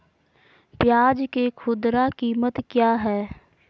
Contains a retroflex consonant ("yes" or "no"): no